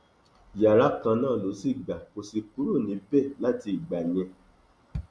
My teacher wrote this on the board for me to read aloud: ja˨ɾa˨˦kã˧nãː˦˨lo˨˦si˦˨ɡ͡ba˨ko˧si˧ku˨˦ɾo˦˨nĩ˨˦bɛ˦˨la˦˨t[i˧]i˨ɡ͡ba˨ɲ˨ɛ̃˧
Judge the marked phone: correct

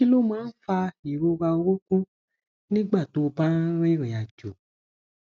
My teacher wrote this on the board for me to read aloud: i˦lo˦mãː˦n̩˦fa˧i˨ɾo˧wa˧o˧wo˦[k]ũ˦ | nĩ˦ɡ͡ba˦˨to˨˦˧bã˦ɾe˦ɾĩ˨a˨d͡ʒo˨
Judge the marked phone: correct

